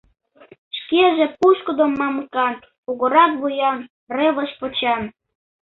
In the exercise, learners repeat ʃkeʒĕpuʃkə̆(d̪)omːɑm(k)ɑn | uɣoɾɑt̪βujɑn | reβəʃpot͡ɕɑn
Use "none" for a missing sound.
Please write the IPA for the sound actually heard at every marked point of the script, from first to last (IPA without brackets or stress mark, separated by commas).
d̪, k